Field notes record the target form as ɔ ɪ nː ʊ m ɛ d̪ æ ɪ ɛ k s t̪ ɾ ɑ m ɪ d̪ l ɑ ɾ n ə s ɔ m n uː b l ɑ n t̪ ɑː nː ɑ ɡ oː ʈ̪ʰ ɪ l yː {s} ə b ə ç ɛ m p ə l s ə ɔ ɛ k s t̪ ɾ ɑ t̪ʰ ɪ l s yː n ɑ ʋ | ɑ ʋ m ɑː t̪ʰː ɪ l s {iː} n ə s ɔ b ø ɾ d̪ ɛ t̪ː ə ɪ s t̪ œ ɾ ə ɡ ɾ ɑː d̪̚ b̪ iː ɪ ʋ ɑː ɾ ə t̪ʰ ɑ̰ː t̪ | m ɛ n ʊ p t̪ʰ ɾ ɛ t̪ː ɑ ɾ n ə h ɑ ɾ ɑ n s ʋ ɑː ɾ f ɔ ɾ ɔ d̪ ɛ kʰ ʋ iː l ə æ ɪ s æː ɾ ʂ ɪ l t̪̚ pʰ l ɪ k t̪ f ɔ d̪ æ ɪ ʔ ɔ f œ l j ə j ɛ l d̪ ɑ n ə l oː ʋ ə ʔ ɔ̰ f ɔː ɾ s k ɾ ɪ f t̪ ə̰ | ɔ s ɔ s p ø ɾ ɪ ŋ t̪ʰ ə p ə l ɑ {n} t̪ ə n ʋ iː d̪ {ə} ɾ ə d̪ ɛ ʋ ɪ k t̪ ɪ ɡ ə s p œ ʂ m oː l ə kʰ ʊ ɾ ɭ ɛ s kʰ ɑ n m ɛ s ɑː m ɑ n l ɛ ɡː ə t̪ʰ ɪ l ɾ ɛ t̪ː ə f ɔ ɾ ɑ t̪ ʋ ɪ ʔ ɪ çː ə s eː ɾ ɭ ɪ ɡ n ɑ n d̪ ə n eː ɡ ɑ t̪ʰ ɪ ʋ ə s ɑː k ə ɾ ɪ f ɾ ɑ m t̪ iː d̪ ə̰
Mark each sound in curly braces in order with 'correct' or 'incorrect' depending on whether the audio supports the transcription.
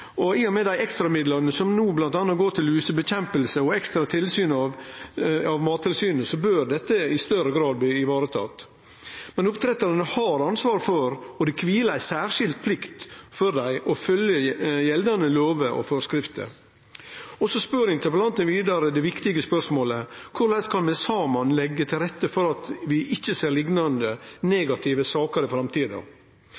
correct, incorrect, correct, incorrect

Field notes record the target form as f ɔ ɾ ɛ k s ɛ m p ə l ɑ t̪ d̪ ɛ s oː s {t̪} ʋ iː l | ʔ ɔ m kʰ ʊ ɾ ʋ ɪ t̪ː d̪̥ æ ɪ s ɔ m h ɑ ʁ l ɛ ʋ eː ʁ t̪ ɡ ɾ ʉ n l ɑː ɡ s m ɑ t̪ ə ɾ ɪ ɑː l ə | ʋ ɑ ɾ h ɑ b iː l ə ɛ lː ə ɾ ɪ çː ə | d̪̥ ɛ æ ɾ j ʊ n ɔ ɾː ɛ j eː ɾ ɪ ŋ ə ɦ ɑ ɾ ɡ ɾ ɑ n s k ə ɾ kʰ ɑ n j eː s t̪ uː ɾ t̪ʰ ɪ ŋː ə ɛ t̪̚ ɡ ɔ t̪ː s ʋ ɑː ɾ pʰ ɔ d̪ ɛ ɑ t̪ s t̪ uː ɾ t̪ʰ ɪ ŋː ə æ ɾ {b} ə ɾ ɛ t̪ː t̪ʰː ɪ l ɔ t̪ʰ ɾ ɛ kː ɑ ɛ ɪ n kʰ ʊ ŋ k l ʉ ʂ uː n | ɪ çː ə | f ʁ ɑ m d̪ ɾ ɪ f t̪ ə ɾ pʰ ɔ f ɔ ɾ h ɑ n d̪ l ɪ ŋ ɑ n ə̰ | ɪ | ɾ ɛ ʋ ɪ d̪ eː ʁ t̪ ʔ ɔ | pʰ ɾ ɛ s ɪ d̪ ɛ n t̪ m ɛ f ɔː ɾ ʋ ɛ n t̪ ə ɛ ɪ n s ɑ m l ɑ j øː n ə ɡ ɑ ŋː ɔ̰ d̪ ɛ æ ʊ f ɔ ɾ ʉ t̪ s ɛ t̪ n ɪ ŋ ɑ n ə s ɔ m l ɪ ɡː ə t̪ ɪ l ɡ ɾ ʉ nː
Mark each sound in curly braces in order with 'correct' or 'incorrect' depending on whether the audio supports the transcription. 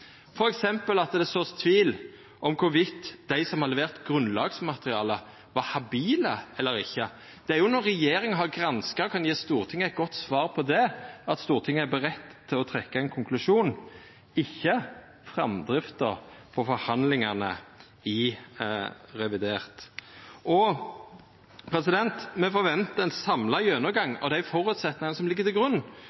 incorrect, correct

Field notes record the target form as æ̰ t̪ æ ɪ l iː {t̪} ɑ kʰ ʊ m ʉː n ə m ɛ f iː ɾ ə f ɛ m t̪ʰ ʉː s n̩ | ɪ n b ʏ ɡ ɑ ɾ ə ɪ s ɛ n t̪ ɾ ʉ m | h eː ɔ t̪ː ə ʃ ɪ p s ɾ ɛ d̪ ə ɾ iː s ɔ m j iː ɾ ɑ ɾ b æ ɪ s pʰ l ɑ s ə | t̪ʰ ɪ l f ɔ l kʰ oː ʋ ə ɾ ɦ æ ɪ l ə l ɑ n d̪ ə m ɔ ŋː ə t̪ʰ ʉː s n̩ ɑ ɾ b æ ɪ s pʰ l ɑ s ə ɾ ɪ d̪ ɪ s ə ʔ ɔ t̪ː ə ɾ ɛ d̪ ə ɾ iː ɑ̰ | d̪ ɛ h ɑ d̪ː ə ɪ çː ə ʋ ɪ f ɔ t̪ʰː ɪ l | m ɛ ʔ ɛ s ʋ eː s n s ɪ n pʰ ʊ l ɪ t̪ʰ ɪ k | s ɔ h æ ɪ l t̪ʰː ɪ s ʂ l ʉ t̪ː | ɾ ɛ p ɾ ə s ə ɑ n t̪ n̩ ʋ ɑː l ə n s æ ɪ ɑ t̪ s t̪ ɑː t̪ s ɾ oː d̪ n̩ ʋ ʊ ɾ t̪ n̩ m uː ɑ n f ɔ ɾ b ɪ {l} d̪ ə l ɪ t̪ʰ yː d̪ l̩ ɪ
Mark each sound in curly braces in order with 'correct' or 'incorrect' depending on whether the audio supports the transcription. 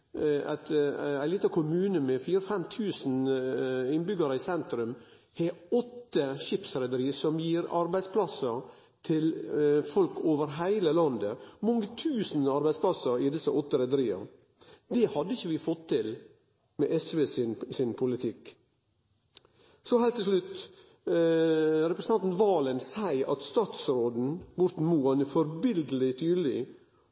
correct, correct

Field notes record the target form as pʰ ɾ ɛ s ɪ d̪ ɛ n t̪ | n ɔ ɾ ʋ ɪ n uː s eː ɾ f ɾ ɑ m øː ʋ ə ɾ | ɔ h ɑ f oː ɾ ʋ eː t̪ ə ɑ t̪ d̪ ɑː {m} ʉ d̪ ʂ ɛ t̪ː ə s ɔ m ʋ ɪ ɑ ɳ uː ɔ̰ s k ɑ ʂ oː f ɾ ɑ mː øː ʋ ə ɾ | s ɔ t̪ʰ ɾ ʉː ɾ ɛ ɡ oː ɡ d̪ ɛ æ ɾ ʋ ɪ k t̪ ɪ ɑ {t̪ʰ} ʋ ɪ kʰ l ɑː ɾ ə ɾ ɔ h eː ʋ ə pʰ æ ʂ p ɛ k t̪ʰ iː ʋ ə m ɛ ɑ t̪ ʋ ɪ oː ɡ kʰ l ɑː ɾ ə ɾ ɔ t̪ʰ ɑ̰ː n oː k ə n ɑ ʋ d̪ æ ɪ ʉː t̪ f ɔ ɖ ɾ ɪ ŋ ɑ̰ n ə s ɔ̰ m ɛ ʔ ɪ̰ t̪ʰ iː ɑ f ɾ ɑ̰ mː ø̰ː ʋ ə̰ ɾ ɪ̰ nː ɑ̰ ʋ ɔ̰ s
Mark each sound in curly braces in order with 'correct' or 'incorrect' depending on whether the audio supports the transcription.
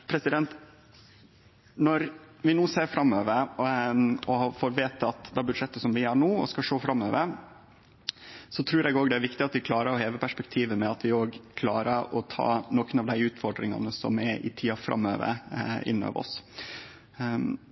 incorrect, incorrect

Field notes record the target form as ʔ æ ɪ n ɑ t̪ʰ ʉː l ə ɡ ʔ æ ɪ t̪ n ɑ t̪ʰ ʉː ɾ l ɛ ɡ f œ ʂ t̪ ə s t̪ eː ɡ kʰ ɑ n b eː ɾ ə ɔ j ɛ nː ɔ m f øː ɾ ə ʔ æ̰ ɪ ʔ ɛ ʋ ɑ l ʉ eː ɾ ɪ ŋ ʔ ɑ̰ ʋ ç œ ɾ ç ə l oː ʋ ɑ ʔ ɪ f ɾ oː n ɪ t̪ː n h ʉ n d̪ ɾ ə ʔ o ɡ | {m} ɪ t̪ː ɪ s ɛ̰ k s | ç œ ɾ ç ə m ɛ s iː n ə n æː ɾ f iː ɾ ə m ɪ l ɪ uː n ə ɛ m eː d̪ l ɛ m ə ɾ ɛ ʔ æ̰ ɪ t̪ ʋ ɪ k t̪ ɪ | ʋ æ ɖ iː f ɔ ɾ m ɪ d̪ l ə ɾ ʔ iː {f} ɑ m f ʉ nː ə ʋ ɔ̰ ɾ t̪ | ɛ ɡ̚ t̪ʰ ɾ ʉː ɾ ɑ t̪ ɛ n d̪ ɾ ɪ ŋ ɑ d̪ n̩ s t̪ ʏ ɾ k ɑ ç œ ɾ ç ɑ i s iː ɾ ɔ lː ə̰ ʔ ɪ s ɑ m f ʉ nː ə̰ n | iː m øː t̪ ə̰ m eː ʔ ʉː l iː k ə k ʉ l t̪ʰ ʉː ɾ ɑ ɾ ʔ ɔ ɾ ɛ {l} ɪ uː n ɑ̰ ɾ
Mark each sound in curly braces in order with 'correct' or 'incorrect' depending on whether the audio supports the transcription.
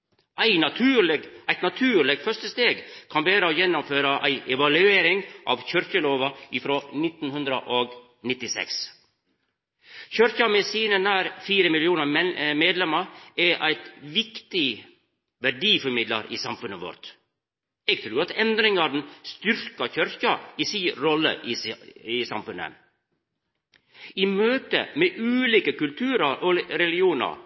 incorrect, incorrect, correct

